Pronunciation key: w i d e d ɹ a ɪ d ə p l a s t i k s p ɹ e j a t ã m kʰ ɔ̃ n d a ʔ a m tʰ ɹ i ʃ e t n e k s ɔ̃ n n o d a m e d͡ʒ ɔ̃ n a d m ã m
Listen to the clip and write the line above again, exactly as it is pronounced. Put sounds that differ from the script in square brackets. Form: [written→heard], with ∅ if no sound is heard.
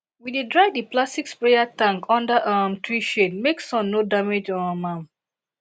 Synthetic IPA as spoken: w i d e d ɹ a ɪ d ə p l a s t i k s p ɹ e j a t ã [m→ŋ] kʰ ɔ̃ n d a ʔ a m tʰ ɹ i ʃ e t [n→m] e k s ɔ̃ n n o d a m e d͡ʒ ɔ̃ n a [d→∅] m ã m